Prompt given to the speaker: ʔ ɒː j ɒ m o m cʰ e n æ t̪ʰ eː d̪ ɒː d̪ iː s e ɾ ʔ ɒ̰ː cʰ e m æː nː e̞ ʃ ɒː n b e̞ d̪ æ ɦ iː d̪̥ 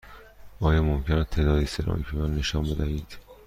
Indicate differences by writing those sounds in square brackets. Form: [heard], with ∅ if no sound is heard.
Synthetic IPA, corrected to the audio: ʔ ɒː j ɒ m o m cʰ e n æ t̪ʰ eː d̪ ɒː d̪ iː s e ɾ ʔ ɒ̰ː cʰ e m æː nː e̞ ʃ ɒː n b e̞ d̪ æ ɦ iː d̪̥